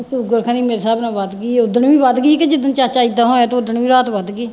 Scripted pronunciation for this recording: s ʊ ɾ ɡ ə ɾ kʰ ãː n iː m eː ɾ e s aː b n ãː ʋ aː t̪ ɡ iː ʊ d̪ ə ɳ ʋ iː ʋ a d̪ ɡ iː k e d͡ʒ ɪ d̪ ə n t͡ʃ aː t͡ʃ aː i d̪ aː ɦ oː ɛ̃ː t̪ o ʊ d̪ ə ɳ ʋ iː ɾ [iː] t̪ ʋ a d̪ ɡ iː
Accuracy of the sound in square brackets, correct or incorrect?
incorrect